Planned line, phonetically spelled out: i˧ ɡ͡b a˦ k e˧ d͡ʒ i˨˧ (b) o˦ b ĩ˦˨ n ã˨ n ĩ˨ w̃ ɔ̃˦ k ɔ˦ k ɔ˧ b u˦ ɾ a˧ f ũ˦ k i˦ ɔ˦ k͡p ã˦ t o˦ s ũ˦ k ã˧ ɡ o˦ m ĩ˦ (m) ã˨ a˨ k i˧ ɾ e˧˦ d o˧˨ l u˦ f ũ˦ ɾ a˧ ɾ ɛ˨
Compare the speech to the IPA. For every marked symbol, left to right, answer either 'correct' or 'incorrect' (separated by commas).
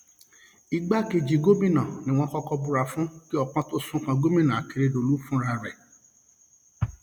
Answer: incorrect, incorrect